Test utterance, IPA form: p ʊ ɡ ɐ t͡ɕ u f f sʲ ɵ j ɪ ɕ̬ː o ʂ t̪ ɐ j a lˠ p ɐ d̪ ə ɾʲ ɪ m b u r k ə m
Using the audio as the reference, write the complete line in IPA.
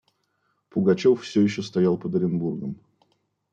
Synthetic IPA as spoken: p ʊ ɡ ɐ t͡ɕ o f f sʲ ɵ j ɪ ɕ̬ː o s t̪ ɐ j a lˠ p ə d̪ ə ɾʲ ɪ n b u r ɡ ə m